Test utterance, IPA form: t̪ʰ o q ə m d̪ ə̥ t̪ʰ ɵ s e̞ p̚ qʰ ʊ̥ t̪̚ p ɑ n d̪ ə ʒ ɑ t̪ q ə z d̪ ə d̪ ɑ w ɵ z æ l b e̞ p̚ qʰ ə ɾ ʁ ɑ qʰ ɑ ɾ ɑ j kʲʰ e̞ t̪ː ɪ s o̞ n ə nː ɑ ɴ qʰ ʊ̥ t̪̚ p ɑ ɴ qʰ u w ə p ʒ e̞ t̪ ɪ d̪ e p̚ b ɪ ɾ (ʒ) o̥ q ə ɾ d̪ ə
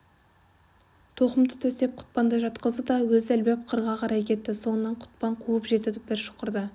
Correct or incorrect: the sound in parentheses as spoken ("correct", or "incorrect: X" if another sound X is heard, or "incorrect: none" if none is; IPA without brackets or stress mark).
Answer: incorrect: ʃ